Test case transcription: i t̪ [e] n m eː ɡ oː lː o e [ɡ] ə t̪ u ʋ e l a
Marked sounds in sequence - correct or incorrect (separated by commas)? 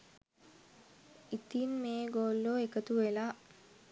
incorrect, incorrect